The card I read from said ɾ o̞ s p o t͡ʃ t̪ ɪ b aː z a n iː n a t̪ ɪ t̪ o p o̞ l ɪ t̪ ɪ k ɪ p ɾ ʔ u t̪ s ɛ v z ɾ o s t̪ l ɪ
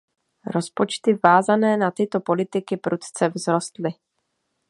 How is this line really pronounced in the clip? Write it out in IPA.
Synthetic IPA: ɾ o̞ s p o t͡ʃ t̪ ɪ v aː z a n ɛː n a t̪ ɪ t̪ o p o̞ l ɪ t̪ ɪ k ɪ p ɾ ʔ u t̪ t͡s ɛ v z ɾ o s t̪ l ɪ